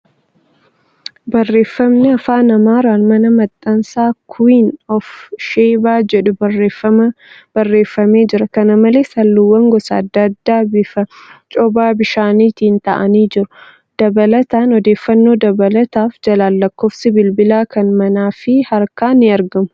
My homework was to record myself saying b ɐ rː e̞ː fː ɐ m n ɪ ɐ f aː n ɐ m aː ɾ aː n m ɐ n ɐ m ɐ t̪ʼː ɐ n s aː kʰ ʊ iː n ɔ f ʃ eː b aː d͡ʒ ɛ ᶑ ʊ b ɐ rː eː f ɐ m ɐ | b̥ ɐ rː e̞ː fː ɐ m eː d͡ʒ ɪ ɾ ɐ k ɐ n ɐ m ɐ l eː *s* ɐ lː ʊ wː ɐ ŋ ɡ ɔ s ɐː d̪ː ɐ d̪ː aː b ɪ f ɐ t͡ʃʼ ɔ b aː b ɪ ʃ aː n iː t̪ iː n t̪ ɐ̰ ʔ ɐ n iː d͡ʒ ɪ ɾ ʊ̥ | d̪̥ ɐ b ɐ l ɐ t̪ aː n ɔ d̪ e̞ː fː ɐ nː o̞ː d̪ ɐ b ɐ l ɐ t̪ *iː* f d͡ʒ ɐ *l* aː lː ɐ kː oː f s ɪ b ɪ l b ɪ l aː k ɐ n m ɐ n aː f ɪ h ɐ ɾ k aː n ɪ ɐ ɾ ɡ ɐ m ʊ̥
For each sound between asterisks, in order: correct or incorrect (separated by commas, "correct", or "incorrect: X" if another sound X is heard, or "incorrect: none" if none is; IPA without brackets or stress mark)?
correct, incorrect: aː, correct